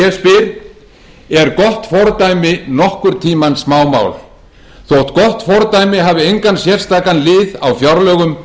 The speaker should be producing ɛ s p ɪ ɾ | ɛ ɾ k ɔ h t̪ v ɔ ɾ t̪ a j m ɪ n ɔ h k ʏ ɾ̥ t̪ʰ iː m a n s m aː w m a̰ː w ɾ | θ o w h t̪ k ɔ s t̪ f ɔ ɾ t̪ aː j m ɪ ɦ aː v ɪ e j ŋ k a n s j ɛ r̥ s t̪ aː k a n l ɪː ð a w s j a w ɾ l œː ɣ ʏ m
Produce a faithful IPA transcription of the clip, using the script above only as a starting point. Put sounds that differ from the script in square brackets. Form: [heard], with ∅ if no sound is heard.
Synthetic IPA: ɛ s p ɪ ɾ | ɛ ɾ k ɔ h t̪ [f] ɔ ɾ t̪ a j m ɪ n ɔ h k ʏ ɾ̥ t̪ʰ iː m a n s m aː w m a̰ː w [l] | θ o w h t̪ k ɔ [h] t̪ f ɔ ɾ t̪ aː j m ɪ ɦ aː v ɪ e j ŋ k a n s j ɛ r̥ s t̪ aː k a n l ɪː ð a w [f] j a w ɾ l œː ɣ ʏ m